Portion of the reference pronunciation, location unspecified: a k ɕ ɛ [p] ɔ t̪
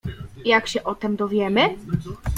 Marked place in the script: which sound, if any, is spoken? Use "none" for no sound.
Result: ʔ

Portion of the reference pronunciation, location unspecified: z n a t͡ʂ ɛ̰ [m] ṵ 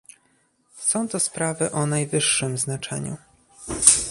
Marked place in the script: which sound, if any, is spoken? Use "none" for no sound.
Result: ɲ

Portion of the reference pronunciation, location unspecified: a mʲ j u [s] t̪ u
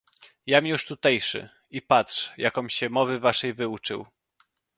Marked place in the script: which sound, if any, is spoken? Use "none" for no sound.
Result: ʂ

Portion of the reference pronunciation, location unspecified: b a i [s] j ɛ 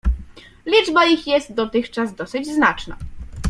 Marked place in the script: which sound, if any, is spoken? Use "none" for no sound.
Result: x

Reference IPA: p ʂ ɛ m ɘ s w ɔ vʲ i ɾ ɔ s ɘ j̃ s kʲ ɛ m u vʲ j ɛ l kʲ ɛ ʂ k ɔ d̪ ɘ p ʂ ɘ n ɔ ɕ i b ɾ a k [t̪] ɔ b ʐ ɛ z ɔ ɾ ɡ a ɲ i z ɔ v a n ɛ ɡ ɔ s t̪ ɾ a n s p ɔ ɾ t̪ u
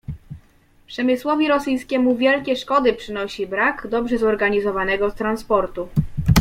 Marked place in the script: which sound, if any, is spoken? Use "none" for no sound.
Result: d̪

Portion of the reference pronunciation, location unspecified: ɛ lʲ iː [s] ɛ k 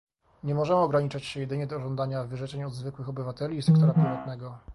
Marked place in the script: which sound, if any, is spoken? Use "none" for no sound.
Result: s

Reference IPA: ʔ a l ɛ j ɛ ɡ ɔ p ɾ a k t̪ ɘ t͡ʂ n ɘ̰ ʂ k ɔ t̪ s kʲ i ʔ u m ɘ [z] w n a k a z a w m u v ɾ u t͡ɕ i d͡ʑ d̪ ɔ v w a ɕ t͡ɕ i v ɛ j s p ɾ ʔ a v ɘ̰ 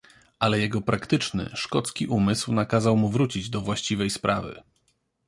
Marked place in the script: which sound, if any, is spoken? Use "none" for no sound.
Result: s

